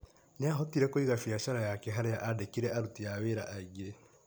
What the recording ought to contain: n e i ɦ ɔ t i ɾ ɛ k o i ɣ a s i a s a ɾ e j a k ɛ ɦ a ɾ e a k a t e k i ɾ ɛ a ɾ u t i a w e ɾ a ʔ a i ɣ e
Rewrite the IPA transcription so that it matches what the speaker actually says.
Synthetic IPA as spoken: n e a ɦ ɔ t i ɾ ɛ k o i ɣ a f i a ʃ a ɾ a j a k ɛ ɦ a ɾ e a ʔ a d e k i ɾ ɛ a ɾ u t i a w e ɾ a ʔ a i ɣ e